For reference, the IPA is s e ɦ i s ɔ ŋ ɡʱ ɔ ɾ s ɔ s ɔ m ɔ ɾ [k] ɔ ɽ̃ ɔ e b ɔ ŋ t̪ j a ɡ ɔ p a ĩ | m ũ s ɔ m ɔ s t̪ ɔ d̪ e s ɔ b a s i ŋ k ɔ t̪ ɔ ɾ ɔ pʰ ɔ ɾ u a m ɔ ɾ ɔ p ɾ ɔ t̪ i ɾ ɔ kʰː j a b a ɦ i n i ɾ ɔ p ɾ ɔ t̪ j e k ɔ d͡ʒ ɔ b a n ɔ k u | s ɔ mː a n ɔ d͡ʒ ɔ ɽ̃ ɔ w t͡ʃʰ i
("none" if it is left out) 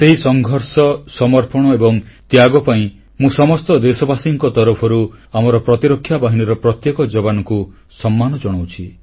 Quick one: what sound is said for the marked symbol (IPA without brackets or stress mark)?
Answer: p